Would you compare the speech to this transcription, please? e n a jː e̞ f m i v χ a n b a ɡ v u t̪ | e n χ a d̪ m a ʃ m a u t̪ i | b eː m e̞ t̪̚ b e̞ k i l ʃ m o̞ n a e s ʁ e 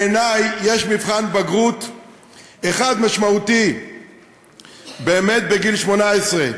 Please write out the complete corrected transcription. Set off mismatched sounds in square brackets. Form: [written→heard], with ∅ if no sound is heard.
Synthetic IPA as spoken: e n a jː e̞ [f→ʃ] m i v χ a n b a ɡ [v→ʁ] u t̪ | e [n→∅] χ a d̪ m a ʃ m a u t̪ i | b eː m e̞ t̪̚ b e̞ [k→ɡ] i l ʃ m o̞ n a e s ʁ e

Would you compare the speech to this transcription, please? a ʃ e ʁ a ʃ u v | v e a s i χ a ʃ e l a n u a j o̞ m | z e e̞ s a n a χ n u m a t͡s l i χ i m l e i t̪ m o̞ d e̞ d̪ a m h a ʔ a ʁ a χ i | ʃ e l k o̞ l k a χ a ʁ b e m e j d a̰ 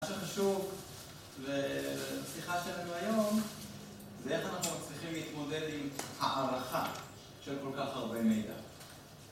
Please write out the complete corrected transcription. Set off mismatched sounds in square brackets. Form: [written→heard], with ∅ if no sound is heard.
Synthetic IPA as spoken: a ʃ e [ʁ→χ] a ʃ u v | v e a s i χ a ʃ e l a n u a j o̞ m | z e e̞ [s→χ] a n a χ n u m a t͡s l i χ i m l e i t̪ m o̞ d e̞ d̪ [a→i] m h a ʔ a ʁ a χ [i→a] | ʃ e l k o̞ l k a χ a ʁ b e m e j d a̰

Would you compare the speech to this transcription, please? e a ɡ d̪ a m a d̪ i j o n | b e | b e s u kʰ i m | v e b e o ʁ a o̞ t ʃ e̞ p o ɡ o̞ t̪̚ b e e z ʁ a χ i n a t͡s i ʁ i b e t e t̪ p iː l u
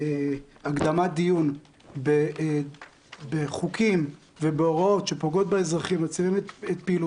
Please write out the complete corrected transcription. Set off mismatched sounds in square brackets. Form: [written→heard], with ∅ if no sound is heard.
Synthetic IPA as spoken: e a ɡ d̪ a m a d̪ i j [o→u] n | b e | b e [s→χ] u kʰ i m | v e b e o ʁ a o̞ t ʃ e̞ p o ɡ o̞ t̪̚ b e e z ʁ a χ i [n→m] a t͡s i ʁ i [b→m] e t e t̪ p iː l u

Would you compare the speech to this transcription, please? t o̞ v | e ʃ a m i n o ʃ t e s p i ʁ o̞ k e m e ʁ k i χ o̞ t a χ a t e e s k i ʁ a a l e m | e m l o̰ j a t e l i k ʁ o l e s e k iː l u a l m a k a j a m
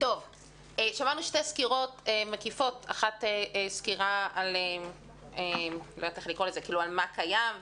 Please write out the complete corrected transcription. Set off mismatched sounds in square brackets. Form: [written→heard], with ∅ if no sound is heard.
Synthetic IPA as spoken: t o̞ v | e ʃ a m [i→a] n [o→u] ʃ t e s [p→k] i ʁ o̞ [k→t] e m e [ʁ→∅] k i [χ→f] o̞ t a χ a t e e s k i ʁ a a l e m | e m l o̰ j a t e l i k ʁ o l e [s→z] e k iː l u a l m a k a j a m

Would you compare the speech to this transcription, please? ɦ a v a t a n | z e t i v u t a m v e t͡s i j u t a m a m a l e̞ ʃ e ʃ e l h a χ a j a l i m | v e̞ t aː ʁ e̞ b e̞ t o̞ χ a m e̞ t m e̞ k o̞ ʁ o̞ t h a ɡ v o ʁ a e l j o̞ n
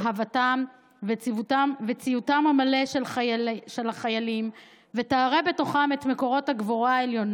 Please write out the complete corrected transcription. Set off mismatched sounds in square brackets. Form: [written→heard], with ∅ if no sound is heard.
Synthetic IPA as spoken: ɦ a v a t a [n→m] | [z→v] e [t→t͡s] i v u t a m v e t͡s i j u t a m a m a l e̞ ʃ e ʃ e l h a χ a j a l i m | v e̞ t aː ʁ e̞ b e̞ t o̞ χ a m e̞ t m e̞ k o̞ ʁ o̞ t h a ɡ v o ʁ a e l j o̞ n

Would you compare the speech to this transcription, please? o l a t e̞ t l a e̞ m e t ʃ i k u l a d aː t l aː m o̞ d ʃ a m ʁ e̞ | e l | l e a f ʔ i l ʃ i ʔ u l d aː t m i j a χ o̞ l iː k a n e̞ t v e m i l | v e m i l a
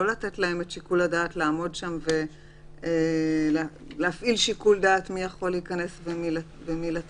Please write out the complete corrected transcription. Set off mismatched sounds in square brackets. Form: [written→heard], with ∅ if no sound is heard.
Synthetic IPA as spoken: o l a t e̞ t l a e̞ m e t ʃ i k u l a d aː t l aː m o̞ d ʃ a m [ʁ→v] e̞ | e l | l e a f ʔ i l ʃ i [ʔ→k] u l d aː t m i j a χ o̞ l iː k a n e̞ [t→s] v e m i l | v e m i l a

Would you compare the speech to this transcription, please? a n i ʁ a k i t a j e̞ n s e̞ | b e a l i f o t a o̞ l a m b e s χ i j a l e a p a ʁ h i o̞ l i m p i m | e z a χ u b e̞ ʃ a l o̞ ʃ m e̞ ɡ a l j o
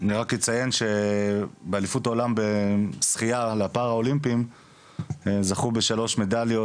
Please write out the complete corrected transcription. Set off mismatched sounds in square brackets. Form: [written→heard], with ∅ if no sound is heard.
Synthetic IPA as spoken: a n i ʁ a k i [t→t͡s] a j e̞ n [s→ʃ] e̞ | b e a l i f [o→u] t a o̞ l a m b e s χ i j a l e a p a ʁ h [i→a] o̞ l i m p i m | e z a χ u b e̞ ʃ a l o̞ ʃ m e̞ [ɡ→d] a l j o

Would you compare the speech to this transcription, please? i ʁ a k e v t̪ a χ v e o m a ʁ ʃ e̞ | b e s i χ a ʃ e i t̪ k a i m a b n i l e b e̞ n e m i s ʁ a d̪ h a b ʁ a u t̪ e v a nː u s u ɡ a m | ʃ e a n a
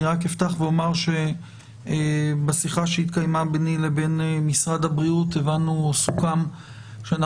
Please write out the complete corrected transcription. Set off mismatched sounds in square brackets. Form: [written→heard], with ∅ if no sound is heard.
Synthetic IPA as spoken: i ʁ a k e [v→f] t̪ a χ v e o m a ʁ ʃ e̞ | b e s i χ a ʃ e i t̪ k a [i→j] m a b n i l e b e̞ n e m i s ʁ a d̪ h a b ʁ [a→i] u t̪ e v a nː u s u [ɡ→k] a m | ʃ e a n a

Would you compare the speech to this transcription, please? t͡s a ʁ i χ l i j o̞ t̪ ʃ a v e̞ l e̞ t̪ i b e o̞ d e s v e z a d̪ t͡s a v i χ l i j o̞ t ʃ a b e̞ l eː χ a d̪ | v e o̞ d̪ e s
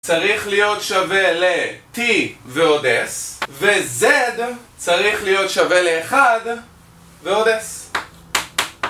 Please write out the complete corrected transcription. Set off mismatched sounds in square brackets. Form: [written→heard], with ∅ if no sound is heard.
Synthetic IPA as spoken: t͡s a ʁ i χ l i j o̞ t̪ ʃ a v e̞ l e̞ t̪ i [b→v] e o̞ d e s v e z [a→e] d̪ t͡s a [v→ʁ] i χ l i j o̞ t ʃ a [b→v] e̞ l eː χ a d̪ | v e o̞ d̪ e s

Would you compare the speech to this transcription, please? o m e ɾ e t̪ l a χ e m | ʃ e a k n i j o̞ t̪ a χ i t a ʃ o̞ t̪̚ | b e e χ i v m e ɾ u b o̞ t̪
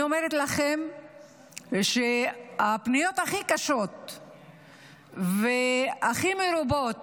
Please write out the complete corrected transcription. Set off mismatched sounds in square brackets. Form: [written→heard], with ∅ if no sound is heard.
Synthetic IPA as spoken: o m e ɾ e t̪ l a χ e m | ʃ e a [k→p] n i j o̞ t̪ a χ i [t→k] a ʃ o̞ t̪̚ | [b→v] e [e→a] χ i [v→∅] m e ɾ u b o̞ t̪

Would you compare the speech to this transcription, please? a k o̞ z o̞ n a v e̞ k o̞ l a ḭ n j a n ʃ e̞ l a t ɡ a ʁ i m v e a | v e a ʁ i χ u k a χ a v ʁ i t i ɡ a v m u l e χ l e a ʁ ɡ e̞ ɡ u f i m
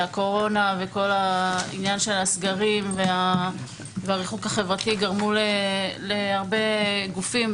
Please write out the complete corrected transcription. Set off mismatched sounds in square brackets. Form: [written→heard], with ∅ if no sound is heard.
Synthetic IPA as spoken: a k o̞ [z→ʁ] o̞ n a v e̞ k o̞ l a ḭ n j a n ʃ e̞ l a [t→s] ɡ a ʁ i m v e a | v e a ʁ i χ u k a χ [a→e] v ʁ [i→a] t i ɡ a [v→ʁ] m u l e [χ→∅] l e a ʁ [ɡ→b] e̞ ɡ u f i m

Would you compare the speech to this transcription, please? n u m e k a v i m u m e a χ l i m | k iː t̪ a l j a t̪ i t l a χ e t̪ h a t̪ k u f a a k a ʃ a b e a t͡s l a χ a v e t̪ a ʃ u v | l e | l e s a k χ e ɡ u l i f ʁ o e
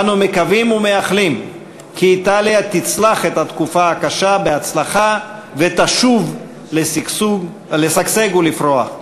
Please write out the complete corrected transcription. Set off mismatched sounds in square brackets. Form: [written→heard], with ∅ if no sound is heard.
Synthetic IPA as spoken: n u m e k a v i m u m e a χ l i m | k iː t̪ a l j a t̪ i [t→t͡s] l a χ e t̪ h a t̪ k u f a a k a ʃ a b e a t͡s l a χ a v e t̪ a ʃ u v | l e | l e s a k [χ→s] e ɡ u l i f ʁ o [e→a]

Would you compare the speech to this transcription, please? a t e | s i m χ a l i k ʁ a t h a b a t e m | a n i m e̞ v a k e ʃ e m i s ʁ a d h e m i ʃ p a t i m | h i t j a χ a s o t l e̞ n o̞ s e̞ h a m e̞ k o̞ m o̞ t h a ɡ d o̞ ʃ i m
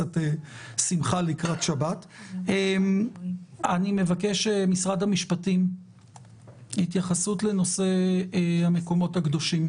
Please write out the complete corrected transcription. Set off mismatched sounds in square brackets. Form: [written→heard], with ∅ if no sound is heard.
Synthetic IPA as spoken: a t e | s i m χ a l i k ʁ a t [h→ʃ] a b a t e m | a n i m e̞ v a k e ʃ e m i s ʁ a d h [e→a] m i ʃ p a t i m | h i t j a χ a s [o→u] t l e̞ n o̞ s e̞ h a m e̞ k o̞ m o̞ t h a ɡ d o̞ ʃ i m

